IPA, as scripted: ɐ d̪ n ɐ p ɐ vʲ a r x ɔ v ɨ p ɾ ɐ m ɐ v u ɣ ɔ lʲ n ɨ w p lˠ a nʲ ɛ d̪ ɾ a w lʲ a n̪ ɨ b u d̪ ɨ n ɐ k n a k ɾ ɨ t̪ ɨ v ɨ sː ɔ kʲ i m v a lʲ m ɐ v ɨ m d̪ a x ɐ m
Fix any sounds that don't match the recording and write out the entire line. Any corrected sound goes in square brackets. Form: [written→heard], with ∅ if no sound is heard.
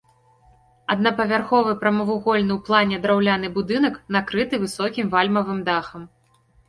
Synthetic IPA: ɐ d̪ n ɐ p ɐ vʲ a r x ɔ v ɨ p ɾ ɐ m ɐ v u ɣ ɔ lʲ n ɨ w p lˠ a nʲ ɛ d̪ ɾ a w lʲ a n̪ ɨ b u d̪ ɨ n ɐ k n a k ɾ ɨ t̪ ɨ v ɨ [sː→s] ɔ kʲ i m v a lʲ m ɐ v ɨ m d̪ a x ɐ m